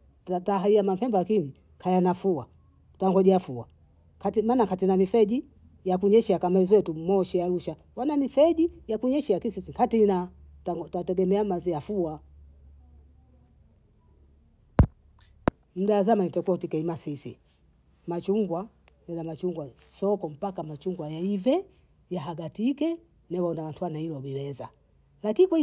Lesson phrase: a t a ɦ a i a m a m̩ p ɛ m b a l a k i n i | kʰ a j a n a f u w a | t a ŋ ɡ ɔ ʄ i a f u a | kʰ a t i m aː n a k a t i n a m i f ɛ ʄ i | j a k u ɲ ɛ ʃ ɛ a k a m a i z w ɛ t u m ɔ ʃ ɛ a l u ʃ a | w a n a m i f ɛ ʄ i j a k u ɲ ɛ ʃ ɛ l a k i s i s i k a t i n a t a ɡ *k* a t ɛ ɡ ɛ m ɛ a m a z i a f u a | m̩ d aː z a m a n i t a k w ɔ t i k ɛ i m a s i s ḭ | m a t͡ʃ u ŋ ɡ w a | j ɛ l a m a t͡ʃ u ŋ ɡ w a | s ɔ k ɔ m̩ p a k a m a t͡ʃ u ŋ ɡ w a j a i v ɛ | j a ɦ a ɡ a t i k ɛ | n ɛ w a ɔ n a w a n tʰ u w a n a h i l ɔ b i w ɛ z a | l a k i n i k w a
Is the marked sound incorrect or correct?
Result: incorrect: t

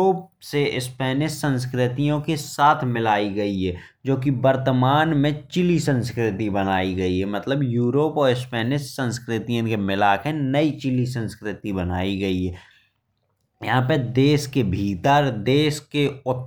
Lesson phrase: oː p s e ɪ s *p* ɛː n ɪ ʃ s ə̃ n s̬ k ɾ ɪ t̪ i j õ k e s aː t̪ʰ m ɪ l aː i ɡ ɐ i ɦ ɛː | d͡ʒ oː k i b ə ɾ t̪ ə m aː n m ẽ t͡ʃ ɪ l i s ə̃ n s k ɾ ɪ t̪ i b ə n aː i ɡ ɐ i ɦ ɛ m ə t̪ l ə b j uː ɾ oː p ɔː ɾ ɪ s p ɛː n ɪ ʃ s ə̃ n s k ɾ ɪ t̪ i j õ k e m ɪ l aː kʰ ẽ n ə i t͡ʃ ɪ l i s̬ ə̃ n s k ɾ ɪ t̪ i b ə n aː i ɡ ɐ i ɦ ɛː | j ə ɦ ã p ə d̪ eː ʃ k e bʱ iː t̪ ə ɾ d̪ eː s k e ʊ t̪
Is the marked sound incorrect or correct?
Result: correct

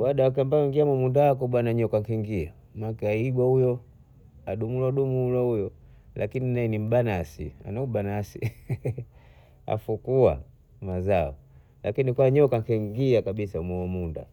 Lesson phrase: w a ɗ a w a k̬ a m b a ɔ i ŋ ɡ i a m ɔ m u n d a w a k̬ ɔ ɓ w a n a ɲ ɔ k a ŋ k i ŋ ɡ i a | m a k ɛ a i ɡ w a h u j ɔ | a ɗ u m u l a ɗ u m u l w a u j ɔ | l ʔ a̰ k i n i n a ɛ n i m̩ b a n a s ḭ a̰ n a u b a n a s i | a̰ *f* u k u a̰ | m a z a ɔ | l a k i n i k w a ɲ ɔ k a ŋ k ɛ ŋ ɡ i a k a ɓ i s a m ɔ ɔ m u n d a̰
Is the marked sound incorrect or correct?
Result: correct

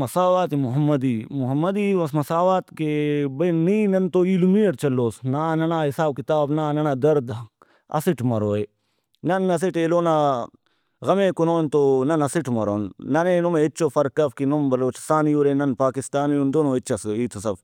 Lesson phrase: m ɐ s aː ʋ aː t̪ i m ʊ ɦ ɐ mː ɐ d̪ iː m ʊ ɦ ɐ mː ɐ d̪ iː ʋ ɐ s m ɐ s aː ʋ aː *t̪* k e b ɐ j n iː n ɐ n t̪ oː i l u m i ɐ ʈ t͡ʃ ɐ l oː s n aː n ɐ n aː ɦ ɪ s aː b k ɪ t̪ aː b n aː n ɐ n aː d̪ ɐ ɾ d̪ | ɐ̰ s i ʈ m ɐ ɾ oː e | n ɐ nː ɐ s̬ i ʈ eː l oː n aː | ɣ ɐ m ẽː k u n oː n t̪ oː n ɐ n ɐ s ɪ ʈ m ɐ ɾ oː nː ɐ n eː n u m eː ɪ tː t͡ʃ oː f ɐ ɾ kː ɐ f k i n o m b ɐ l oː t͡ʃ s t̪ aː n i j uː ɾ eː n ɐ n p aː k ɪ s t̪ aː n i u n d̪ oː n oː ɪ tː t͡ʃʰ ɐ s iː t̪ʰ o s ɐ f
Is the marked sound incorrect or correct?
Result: correct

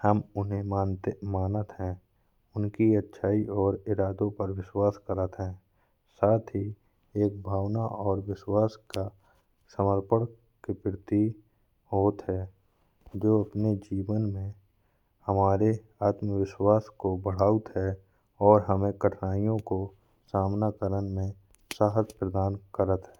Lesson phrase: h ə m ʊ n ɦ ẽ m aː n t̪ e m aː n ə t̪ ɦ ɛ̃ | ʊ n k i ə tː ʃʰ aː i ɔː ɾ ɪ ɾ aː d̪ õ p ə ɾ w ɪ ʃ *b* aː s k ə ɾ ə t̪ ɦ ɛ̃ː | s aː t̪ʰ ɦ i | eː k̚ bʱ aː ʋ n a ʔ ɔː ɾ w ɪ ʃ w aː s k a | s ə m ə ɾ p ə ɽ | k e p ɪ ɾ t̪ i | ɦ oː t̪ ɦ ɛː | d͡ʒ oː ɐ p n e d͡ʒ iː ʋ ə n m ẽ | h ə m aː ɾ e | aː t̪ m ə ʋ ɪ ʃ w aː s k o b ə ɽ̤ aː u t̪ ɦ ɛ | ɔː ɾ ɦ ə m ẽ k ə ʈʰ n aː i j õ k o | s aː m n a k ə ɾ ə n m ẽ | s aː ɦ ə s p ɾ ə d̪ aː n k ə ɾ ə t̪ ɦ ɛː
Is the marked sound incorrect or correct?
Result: incorrect: w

